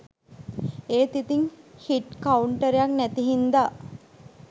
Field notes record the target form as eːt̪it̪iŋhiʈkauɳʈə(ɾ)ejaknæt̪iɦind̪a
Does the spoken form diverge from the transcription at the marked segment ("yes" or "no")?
no